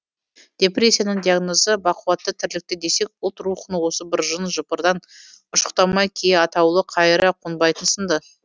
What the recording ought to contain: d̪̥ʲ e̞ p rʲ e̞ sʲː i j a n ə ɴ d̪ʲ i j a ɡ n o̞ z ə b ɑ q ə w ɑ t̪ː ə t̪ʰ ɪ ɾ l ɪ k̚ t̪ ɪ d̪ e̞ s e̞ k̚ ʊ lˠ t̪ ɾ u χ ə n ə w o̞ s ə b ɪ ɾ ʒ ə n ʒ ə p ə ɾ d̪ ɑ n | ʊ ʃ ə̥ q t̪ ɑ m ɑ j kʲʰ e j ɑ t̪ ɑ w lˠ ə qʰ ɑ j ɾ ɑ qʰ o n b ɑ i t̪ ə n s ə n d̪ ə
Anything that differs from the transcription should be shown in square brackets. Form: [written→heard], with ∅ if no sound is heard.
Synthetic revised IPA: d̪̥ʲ e̞ p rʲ e̞ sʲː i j a n ə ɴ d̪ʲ i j a ɡ n o̞ z ə b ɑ q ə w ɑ t̪ː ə t̪ʰ ɪ ɾ l ɪ k̚ t̪ ɪ d̪ e̞ s e̞ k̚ ʊ lˠ t̪ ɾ u χ ə n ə w o̞ s ə b ɪ ɾ ʒ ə n ʒ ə p ə ɾ d̪ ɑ n | ʊ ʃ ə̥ q t̪ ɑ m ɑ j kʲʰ e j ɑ t̪ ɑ w lˠ ə qʰ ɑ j ɾ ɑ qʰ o n b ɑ [i→j] t̪ ə n s ə n d̪ ə